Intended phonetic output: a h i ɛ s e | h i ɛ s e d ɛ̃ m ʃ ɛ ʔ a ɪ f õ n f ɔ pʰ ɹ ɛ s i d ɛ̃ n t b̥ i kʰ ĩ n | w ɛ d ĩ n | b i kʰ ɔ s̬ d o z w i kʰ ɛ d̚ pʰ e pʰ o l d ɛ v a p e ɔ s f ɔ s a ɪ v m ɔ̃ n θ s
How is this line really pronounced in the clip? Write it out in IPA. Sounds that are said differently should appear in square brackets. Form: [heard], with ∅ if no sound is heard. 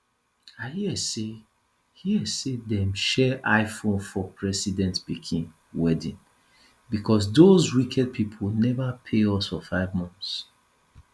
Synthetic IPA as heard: a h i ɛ s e | h i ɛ s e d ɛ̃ m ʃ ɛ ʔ a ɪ f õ n f ɔ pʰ ɹ ɛ s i d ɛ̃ n t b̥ i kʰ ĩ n | w ɛ d ĩ n | b i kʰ ɔ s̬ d o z w i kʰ ɛ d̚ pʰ [i] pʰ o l [n] ɛ v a [pʰ] e ɔ s f ɔ [f] a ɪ v m ɔ̃ n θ s